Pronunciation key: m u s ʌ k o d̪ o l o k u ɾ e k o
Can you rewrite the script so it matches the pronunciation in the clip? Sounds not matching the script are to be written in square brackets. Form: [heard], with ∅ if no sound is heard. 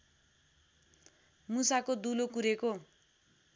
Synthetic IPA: m u s [a] k o d̪ [u] l o k u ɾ e k o